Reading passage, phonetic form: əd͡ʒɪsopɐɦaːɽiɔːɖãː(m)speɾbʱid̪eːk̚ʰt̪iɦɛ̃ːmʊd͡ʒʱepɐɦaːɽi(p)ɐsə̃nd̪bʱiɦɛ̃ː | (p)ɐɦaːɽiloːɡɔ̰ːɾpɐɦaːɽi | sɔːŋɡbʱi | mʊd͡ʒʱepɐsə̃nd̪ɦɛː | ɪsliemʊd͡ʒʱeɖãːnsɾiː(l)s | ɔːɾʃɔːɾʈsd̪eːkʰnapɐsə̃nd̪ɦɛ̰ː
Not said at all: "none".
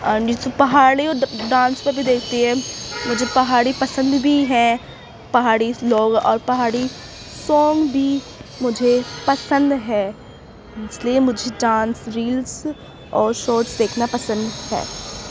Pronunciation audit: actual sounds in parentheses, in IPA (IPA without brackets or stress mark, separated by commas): n, p, p, l